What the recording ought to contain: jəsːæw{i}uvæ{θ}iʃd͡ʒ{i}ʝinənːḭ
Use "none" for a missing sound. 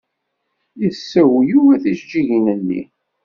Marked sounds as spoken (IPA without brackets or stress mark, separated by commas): j, θ, i